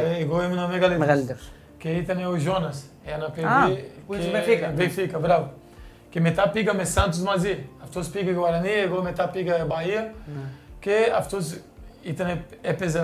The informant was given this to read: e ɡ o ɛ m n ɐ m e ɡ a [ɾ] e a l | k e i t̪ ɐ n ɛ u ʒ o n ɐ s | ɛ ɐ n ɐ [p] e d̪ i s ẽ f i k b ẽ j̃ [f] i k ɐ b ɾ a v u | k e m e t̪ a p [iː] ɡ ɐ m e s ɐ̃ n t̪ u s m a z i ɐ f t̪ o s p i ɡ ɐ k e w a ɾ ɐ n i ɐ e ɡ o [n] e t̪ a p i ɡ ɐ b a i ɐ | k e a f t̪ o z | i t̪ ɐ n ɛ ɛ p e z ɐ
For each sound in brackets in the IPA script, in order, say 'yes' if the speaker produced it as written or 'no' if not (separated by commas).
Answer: no, yes, yes, no, no